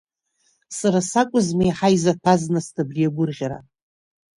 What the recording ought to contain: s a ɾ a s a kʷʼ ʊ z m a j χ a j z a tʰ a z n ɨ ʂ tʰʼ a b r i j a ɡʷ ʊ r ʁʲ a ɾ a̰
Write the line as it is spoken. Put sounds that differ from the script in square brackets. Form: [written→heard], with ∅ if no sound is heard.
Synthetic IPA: s a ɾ a s a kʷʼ ʊ z m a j [χ→ħ] a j z a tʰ a z n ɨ [ʂ→s] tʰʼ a b r i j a ɡʷ ʊ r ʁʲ a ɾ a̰

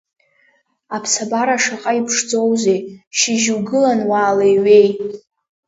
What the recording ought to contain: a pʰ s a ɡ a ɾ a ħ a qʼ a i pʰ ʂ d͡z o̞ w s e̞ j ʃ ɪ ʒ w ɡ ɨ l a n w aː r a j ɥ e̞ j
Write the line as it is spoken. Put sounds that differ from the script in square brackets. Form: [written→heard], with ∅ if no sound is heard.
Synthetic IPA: a pʰ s a [ɡ→b] a ɾ a [ħ→ʂ] a qʼ a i pʰ ʂ d͡z o̞ w [s→z] e̞ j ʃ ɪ ʒ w ɡ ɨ l a n w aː [r→l] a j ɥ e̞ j

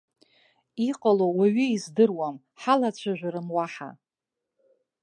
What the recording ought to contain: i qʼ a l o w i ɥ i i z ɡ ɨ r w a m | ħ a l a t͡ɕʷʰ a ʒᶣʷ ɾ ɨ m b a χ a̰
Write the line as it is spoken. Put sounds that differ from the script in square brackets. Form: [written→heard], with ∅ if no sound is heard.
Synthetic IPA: i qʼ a l o w [i→a] ɥ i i z [ɡ→d] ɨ r w a m | ħ a l a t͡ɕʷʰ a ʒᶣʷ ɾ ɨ m [b→w] a [χ→ħ] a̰

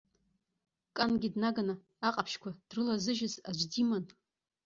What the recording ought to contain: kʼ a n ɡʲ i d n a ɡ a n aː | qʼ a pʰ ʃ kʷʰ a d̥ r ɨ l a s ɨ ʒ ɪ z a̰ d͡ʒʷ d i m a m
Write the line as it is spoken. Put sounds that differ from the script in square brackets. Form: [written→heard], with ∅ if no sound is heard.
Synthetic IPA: kʼ a n ɡʲ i d n a ɡ a n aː | qʼ a pʰ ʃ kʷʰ a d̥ r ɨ l a [s→z] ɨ ʒ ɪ z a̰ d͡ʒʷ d i m a [m→n]

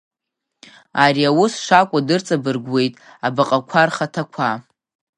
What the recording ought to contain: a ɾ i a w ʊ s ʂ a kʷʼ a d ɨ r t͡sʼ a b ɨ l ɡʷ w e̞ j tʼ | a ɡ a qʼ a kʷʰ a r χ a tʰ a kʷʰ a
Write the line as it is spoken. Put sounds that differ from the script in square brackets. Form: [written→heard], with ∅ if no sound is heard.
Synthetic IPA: a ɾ i a w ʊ s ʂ a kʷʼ a d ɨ r t͡sʼ a b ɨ [l→r] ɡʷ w e̞ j tʼ | a [ɡ→b] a qʼ a kʷʰ a r χ a tʰ a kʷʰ a

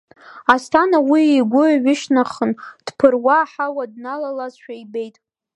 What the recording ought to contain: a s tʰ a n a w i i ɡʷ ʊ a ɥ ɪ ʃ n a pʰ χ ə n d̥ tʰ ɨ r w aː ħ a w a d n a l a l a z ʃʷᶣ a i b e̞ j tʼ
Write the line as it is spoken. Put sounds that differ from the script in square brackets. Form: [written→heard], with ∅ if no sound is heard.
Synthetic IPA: a s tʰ a n a w i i ɡʷ ʊ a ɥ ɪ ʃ n a [pʰ→∅] χ ə n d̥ [tʰ→pʰ] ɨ r w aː ħ a w a d n a l a l a z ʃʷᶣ a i b e̞ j tʼ

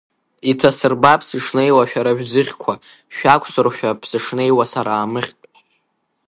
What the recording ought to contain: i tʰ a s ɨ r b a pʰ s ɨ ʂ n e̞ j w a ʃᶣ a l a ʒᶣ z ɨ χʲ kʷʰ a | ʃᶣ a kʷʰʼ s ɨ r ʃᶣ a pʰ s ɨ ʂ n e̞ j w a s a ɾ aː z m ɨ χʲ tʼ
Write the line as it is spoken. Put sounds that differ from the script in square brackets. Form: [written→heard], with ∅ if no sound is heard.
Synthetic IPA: i tʰ a s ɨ r b a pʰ s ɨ ʂ n e̞ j w a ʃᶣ a [l→ɾ] a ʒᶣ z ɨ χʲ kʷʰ a | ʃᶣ a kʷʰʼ s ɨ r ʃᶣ a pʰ s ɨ ʂ n e̞ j w a s a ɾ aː [z→∅] m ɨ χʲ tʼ

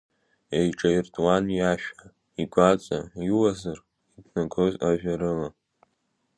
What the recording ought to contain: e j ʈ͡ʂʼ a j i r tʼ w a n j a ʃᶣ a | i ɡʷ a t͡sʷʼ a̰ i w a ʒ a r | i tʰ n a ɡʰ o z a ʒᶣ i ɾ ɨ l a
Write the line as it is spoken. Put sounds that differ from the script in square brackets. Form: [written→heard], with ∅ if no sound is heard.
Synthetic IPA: e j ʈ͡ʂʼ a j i r tʼ w a n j a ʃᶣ a | i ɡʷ a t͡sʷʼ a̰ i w a [ʒ→z] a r | i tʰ n a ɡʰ o z a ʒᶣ [i→a] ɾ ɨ l a

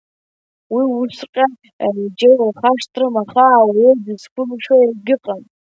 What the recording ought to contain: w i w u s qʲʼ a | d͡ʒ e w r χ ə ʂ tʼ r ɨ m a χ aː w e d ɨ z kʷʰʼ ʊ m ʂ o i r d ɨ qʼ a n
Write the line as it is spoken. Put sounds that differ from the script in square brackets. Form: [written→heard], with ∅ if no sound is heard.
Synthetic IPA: w i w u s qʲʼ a | d͡ʒ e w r χ [ə→a] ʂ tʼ r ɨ m a χ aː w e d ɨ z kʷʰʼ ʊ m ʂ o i r [d→ɡ] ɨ qʼ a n

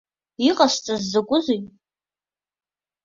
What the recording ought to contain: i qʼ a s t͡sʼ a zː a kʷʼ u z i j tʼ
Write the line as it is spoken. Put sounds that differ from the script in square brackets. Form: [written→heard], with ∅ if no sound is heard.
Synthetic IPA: i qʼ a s t͡sʼ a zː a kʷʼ [u→ʊ] z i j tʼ

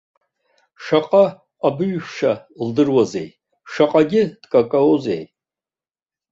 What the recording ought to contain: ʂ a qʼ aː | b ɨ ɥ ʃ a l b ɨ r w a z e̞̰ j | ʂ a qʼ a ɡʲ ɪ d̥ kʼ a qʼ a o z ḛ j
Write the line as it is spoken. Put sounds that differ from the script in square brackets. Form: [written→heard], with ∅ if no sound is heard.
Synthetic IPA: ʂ a qʼ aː | b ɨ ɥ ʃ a l [b→d] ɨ r w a z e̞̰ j | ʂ a qʼ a ɡʲ ɪ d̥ kʼ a [qʼ→kʼ] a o z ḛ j

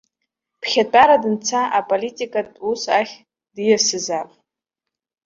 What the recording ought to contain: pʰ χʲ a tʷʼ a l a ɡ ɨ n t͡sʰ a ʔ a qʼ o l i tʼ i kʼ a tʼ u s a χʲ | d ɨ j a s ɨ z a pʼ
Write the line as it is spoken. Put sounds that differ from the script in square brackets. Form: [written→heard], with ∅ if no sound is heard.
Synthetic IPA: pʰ χʲ a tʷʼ a [l→ɾ] a [ɡ→d] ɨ n t͡sʰ a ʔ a [qʼ→pʼ] o l i tʼ i kʼ a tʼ u s a χʲ | d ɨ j a s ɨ z a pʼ

